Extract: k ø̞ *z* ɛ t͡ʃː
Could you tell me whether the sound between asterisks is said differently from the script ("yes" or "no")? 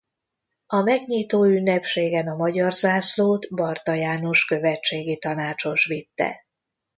yes